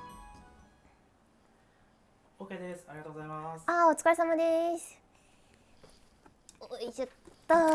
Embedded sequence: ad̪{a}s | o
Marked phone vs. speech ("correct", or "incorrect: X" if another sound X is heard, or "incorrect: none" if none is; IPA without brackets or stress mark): incorrect: e